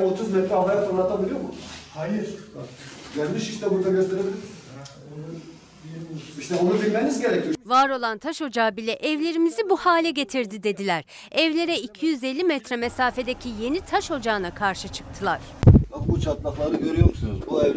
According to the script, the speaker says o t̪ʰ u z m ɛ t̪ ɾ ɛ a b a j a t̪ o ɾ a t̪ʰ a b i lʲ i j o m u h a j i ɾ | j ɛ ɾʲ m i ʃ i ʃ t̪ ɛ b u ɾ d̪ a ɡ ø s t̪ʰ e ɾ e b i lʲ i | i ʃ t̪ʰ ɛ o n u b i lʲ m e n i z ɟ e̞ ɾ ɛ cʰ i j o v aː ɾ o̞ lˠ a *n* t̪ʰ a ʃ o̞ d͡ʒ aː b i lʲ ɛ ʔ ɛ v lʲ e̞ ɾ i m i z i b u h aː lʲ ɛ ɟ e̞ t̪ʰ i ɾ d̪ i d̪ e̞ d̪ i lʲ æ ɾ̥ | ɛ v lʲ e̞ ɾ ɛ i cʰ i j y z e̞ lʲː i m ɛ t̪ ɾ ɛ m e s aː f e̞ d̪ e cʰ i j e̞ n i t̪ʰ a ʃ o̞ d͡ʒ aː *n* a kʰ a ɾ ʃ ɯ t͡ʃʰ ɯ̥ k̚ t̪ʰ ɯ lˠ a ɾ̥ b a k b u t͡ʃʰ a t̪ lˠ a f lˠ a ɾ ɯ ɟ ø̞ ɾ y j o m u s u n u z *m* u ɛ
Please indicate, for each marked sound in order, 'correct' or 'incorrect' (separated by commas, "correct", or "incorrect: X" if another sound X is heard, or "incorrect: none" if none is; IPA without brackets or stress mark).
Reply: correct, correct, incorrect: b